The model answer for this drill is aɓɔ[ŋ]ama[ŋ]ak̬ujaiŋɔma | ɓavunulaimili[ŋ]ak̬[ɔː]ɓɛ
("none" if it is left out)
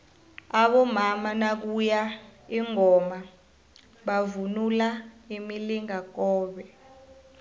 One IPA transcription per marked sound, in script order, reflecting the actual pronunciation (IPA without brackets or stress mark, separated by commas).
m, n, ŋ, ɔː